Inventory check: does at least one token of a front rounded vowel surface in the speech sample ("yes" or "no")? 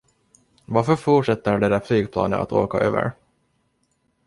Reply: yes